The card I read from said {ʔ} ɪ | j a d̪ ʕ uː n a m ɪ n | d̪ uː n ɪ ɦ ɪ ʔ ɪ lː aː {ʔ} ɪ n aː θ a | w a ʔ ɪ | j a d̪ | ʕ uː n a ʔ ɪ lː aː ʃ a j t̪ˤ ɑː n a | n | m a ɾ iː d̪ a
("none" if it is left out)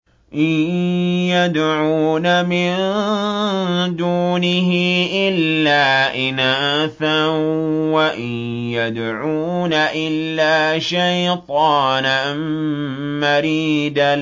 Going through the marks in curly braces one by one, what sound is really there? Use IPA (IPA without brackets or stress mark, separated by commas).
ʔ, ʔ